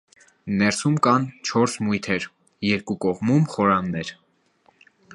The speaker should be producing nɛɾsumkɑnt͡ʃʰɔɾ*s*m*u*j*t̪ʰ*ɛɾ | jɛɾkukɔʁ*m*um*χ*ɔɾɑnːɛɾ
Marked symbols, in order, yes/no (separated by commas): yes, yes, yes, yes, yes